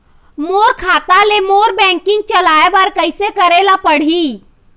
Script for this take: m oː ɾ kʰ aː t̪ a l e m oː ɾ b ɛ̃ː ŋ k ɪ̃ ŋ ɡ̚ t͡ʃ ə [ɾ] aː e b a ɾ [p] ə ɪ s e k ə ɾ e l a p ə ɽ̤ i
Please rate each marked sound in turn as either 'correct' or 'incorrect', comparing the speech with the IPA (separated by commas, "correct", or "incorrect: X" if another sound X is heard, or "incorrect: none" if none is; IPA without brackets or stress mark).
incorrect: l, incorrect: k